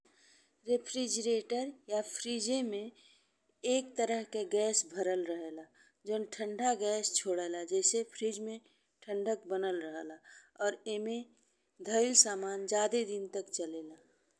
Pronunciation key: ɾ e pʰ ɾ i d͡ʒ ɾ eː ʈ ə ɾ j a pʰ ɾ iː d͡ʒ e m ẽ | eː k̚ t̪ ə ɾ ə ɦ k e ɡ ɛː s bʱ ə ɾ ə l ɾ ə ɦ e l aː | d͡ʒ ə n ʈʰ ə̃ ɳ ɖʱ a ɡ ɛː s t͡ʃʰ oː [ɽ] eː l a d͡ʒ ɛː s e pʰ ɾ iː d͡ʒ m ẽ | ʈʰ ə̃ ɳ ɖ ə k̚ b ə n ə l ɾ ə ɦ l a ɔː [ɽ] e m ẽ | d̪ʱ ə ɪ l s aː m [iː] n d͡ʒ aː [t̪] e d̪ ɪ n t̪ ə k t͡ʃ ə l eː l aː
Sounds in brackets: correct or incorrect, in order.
correct, incorrect: ɾ, incorrect: aː, incorrect: d̪

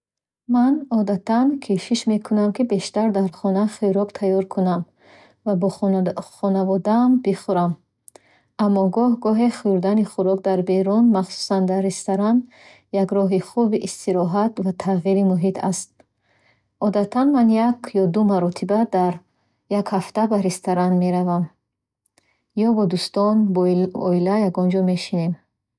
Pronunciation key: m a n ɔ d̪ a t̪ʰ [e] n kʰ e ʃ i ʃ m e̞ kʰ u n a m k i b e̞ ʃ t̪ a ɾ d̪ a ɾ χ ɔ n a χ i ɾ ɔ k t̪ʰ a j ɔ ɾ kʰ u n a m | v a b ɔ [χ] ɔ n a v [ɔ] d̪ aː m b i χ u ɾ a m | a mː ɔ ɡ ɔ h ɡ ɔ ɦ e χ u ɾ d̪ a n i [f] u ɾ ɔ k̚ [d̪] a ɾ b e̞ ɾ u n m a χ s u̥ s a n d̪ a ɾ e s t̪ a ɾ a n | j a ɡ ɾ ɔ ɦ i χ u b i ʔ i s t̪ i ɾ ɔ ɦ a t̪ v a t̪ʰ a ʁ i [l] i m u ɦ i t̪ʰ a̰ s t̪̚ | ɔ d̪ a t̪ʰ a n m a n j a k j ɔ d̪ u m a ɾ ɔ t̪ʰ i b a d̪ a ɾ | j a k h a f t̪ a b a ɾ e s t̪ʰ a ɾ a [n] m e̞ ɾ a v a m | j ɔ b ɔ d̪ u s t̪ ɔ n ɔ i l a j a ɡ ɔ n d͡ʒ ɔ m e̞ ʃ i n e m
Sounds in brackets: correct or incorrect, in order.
incorrect: a, correct, correct, incorrect: χ, correct, incorrect: ɾ, correct

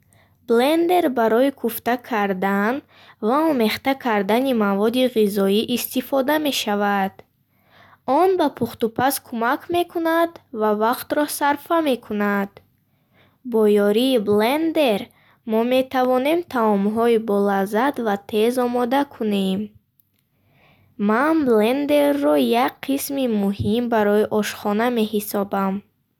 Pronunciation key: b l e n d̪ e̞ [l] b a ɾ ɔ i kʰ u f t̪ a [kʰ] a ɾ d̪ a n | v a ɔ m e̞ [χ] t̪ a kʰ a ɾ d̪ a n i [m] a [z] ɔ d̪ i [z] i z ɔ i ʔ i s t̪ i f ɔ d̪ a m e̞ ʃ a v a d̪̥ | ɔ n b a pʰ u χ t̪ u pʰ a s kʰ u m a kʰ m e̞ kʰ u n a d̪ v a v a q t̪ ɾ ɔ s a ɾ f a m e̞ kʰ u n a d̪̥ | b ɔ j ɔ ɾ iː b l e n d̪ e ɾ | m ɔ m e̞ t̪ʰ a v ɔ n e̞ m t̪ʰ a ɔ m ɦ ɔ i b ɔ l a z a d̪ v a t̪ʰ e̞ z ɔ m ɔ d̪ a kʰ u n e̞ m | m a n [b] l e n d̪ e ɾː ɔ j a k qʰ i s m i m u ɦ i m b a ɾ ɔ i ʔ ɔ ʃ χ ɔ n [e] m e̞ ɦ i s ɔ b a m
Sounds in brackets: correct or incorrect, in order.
incorrect: ɾ, correct, correct, correct, incorrect: v, incorrect: ʁ, correct, incorrect: a

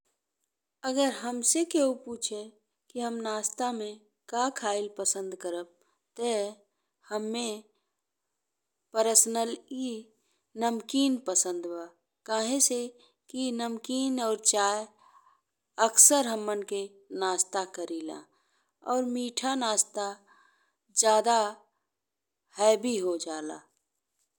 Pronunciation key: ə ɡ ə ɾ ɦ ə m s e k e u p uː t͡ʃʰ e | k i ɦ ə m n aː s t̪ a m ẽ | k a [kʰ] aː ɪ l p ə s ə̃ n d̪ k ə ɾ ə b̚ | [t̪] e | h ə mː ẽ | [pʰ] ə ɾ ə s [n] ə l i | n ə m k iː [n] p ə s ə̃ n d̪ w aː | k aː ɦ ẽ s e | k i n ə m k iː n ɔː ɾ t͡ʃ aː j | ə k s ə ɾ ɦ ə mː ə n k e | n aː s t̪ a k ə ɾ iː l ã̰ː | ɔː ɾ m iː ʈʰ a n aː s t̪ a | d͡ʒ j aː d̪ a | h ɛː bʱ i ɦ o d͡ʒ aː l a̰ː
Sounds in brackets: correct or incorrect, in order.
correct, correct, incorrect: p, correct, correct

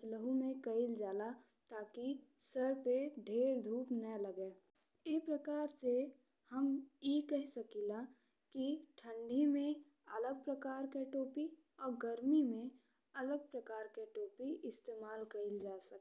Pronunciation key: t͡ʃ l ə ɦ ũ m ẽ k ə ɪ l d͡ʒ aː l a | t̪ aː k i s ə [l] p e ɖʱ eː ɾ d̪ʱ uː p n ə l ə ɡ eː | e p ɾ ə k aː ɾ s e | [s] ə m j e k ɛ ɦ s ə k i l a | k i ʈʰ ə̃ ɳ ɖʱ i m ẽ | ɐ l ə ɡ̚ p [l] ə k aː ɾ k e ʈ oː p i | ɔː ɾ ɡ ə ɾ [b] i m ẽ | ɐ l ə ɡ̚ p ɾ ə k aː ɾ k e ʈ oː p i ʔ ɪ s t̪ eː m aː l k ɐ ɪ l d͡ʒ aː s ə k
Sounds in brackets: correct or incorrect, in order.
incorrect: ɾ, incorrect: h, incorrect: ɾ, incorrect: m

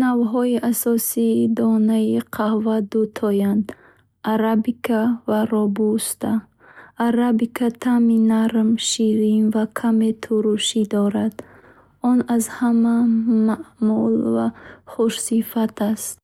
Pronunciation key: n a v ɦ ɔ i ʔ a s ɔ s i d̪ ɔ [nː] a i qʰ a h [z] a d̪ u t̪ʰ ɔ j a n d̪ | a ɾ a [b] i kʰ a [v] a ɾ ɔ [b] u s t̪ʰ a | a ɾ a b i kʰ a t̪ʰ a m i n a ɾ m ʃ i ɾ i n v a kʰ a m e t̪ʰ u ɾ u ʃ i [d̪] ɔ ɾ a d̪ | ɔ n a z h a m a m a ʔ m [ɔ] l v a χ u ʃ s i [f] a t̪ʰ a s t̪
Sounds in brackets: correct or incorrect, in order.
incorrect: n, incorrect: v, correct, correct, correct, correct, incorrect: u, correct

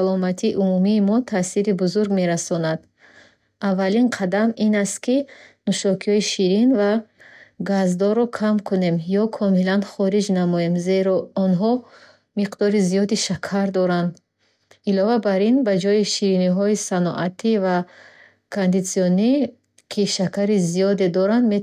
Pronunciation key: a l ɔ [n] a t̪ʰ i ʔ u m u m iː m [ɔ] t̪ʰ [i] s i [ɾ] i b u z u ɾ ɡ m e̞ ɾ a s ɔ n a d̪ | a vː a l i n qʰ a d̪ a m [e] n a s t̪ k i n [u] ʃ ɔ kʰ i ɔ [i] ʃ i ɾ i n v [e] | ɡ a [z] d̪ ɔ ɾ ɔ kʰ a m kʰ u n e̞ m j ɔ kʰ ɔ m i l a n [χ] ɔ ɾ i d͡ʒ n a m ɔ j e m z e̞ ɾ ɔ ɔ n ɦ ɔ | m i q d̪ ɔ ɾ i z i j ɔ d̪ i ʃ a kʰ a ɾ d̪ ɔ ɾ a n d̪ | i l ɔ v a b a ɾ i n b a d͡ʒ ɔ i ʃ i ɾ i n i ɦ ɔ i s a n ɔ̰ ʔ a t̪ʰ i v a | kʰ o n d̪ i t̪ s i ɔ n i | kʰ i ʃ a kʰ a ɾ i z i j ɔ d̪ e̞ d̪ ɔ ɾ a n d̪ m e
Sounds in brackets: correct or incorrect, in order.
incorrect: m, correct, incorrect: a, correct, incorrect: i, correct, correct, incorrect: a, correct, correct

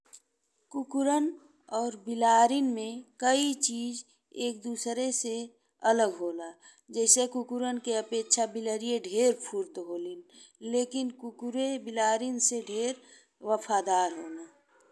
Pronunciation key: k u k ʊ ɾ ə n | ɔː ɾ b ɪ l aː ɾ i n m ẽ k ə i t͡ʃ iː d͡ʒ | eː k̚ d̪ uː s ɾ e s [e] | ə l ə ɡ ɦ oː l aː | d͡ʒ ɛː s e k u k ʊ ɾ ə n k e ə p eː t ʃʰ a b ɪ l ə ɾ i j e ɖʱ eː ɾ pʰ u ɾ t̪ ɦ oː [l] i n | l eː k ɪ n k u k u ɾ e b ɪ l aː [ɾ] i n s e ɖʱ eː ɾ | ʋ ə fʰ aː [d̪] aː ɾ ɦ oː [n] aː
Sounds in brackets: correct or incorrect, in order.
correct, correct, correct, correct, correct

